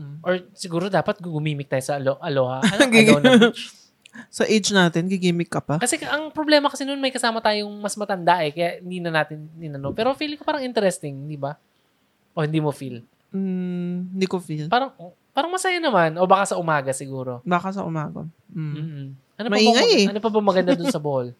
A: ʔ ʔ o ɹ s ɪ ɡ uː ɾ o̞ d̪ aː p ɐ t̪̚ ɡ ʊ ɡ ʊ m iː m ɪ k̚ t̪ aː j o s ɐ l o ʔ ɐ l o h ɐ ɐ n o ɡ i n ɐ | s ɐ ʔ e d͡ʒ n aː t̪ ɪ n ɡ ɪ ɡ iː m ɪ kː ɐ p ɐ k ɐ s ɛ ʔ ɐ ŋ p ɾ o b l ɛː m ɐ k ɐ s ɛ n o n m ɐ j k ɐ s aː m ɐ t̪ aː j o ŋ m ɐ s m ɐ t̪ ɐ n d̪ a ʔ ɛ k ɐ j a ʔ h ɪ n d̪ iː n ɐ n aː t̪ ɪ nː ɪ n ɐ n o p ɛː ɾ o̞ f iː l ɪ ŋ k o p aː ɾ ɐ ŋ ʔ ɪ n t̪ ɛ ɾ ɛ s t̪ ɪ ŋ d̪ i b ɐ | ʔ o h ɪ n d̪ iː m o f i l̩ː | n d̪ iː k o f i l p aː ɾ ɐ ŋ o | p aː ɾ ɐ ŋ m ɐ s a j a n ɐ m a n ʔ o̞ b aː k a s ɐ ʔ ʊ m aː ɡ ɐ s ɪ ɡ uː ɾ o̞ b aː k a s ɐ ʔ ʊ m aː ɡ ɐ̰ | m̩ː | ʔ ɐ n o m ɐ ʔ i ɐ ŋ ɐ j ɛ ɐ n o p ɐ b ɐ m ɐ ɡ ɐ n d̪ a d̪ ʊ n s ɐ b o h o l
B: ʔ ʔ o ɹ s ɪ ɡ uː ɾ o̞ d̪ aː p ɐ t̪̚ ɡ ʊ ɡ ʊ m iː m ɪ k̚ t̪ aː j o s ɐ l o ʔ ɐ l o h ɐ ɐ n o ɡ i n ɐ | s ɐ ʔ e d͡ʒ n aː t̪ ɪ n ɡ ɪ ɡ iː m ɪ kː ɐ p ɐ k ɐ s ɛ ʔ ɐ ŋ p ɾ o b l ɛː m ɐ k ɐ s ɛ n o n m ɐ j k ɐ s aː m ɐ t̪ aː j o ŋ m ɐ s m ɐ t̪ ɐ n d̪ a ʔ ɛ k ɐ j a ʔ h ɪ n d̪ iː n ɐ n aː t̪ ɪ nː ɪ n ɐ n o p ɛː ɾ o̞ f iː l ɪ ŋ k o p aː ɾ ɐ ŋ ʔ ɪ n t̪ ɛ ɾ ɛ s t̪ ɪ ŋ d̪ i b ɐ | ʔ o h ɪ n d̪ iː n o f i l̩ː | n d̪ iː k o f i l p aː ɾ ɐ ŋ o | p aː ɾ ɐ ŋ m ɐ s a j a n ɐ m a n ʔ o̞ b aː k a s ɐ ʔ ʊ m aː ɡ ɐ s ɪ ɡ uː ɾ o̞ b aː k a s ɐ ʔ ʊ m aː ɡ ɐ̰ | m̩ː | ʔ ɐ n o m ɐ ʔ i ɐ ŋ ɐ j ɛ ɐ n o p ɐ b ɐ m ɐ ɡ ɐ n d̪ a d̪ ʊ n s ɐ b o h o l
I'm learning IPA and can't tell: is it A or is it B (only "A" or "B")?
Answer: A